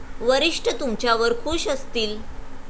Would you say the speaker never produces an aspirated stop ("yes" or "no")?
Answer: no